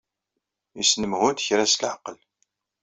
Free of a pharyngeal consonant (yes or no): no